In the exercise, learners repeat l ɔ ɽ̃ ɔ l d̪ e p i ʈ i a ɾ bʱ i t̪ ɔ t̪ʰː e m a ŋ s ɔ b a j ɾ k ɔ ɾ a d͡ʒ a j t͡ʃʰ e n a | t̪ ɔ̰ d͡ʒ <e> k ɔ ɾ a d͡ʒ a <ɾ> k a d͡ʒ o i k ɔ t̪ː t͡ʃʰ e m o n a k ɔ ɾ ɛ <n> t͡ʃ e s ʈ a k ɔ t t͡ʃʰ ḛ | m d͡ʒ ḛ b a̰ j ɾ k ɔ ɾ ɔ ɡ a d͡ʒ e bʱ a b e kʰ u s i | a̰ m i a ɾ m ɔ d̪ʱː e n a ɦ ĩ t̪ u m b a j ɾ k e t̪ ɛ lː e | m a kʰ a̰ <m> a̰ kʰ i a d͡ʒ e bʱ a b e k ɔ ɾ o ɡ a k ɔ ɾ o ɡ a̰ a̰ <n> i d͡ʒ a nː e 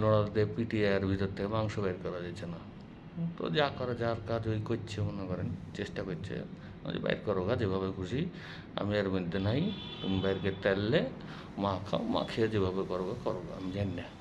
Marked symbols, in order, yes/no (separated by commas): no, yes, yes, yes, no